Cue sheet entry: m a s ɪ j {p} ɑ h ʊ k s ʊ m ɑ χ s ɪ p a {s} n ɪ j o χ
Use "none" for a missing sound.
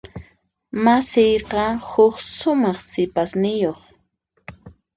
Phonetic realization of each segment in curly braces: q, s

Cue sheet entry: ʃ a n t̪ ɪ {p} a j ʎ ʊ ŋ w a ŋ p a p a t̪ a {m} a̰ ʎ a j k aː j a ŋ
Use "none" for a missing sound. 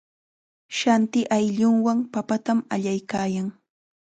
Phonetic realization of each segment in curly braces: ʔ, m

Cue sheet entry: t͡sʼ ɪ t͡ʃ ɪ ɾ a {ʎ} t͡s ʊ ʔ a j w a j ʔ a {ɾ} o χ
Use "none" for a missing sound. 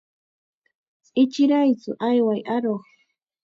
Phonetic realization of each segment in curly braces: j, ɾ

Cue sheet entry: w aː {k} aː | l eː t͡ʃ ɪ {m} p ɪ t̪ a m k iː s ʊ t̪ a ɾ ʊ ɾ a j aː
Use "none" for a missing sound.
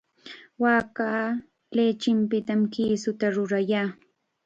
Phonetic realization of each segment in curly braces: k, m

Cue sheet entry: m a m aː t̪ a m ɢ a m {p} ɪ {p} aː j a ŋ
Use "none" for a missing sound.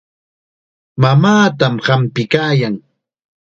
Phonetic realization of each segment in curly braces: p, k

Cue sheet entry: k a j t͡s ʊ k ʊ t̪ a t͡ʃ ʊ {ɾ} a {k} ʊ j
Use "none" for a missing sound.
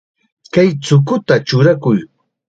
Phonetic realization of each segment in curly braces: ɾ, k

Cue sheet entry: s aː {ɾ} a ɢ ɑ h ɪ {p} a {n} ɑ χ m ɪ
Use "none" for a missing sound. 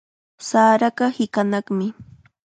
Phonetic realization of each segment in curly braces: ɾ, k, n

